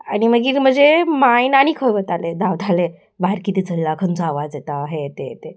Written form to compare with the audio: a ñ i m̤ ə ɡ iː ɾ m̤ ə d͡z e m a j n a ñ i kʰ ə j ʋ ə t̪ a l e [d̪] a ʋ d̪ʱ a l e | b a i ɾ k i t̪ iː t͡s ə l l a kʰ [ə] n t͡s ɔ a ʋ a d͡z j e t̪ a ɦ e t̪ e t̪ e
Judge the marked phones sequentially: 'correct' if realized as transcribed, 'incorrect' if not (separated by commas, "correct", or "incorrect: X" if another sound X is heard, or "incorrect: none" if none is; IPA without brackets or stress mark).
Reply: correct, correct